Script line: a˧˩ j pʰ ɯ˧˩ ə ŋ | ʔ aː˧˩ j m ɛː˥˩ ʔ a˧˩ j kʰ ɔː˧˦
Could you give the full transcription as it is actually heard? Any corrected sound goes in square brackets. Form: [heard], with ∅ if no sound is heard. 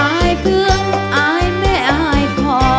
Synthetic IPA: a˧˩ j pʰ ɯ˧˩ ə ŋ | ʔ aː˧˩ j m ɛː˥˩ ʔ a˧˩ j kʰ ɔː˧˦